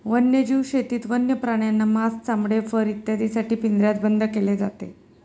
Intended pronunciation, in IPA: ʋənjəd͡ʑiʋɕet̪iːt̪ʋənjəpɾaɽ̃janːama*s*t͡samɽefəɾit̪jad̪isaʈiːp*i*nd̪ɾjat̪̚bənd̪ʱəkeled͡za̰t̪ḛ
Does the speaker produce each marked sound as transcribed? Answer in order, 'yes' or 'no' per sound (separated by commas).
yes, yes